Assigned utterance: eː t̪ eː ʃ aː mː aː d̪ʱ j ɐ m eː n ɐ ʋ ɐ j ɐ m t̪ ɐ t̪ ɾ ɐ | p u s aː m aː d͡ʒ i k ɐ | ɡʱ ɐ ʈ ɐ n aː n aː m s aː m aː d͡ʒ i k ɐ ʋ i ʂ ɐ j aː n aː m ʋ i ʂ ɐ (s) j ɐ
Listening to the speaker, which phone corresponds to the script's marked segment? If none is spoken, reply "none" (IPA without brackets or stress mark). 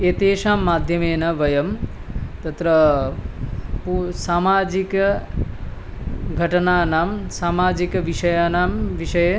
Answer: none